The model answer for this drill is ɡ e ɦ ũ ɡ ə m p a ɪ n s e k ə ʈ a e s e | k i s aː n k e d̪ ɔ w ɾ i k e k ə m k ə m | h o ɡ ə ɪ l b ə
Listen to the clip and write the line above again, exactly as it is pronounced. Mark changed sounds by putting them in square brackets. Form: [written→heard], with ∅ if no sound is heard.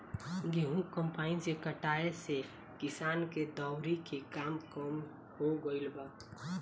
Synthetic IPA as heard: ɡ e ɦ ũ [ɡ→k] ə m p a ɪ n s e k ə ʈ a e s e | k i s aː n k e d̪ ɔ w ɾ i k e k [ə→a] m k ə m | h o ɡ ə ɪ l b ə